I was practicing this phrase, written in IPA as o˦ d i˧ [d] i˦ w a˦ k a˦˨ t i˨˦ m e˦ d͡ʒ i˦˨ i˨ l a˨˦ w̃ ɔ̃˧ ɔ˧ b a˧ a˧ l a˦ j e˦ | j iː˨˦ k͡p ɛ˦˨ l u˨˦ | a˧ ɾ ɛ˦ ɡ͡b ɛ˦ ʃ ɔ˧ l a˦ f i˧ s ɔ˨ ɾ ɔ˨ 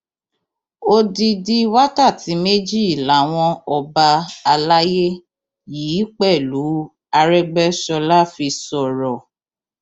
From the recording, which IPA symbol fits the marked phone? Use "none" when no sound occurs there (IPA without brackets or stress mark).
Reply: d